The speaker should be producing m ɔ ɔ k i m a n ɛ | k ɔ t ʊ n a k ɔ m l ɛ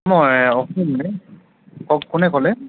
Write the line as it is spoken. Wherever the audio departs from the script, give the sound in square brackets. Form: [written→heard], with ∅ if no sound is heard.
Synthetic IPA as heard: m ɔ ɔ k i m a n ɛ | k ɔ [t→k] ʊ n [a→ɛ] k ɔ [m→∅] l ɛ